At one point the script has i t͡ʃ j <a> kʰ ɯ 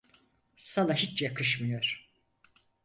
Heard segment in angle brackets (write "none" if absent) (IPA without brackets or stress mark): a